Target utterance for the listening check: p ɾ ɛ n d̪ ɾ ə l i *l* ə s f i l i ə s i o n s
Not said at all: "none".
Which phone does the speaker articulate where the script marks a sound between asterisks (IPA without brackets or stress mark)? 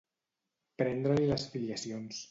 l